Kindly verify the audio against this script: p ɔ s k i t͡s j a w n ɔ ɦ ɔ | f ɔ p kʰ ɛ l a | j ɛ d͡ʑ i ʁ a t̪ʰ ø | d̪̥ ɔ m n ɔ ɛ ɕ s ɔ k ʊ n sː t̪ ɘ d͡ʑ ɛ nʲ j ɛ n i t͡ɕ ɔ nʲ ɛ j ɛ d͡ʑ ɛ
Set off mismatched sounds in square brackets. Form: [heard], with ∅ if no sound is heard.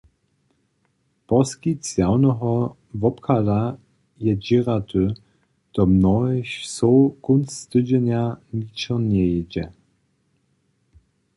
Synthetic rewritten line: p ɔ s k i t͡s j a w n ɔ ɦ ɔ | [v] ɔ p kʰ [a] l a | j ɛ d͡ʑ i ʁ a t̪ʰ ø | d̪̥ ɔ m n ɔ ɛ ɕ s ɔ k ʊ n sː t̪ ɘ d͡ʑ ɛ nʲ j [a] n i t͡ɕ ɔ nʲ ɛ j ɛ d͡ʑ ɛ